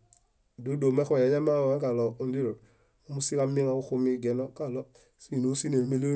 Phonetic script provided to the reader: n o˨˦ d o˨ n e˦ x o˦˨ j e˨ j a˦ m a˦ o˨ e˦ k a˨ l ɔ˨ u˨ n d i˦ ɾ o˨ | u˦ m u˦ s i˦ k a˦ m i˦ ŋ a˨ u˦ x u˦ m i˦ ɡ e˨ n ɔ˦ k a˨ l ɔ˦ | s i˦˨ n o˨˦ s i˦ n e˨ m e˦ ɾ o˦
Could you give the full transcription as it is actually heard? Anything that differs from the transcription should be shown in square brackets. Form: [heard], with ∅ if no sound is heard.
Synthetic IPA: [d] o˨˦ d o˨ [m] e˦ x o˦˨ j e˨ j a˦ m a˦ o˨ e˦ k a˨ l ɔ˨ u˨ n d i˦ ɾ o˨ | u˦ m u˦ s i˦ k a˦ m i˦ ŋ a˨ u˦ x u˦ m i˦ ɡ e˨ n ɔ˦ k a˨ l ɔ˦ | s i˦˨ n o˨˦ s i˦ n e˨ m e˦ [l] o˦